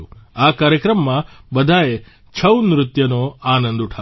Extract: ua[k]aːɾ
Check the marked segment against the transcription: correct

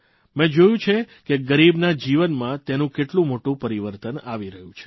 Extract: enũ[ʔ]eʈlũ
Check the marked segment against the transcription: incorrect: k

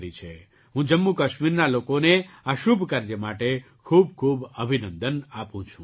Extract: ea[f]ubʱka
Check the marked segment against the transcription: incorrect: ʃ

